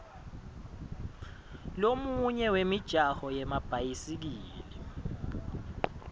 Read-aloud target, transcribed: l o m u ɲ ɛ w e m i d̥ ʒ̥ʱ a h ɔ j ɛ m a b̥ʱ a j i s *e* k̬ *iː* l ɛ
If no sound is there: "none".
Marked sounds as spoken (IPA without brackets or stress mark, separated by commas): i, iː